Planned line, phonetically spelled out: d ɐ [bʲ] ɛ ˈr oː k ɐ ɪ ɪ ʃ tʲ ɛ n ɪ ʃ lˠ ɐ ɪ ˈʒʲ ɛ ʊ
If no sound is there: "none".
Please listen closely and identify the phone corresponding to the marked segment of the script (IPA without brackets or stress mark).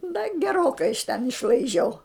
ɡʲ